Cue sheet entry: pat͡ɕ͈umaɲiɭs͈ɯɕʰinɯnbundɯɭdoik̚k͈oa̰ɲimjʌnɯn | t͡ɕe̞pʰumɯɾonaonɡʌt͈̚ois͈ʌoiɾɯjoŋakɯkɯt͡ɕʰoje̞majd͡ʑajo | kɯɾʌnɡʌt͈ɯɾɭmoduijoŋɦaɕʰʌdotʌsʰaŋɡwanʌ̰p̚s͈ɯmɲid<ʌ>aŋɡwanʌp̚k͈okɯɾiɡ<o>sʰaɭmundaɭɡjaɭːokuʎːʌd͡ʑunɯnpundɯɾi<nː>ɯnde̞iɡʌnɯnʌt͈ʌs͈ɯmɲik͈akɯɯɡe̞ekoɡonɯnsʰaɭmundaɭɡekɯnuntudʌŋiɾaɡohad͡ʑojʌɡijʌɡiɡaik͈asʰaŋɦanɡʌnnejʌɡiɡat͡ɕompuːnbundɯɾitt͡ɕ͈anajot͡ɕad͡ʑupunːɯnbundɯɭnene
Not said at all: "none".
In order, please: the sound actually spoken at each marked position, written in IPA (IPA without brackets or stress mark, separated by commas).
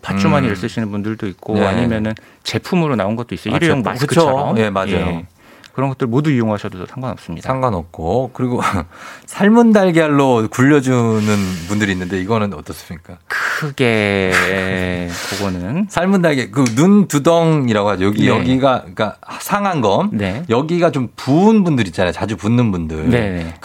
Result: a, o, nː